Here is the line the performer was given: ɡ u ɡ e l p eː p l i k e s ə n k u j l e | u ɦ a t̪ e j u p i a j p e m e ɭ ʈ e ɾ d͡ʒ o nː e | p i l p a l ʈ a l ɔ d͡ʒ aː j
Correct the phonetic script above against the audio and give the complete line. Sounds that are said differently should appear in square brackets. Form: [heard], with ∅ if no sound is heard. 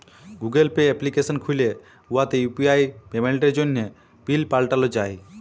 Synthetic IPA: ɡ u ɡ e l p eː p l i k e s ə n [kʰ] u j l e | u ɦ a t̪ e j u p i a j p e m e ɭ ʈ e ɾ d͡ʒ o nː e | p i l p a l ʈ a l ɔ d͡ʒ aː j